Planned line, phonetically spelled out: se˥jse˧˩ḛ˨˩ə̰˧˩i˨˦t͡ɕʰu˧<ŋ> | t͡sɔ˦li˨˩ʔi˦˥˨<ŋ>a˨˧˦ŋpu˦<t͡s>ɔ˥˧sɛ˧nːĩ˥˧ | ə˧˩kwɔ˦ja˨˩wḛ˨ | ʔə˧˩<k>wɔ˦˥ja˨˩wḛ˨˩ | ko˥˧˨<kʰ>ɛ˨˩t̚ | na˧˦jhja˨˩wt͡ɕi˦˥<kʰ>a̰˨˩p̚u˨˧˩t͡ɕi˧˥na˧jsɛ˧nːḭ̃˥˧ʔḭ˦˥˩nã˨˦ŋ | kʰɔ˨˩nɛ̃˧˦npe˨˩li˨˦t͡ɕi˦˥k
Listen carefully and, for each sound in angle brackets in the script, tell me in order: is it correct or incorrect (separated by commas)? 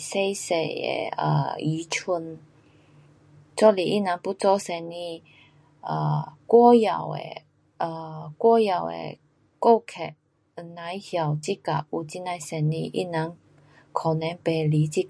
incorrect, incorrect, correct, correct, correct, incorrect